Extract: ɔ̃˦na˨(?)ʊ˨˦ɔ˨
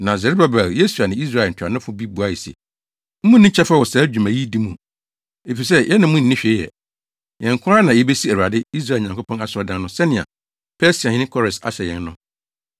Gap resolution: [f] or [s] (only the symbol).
s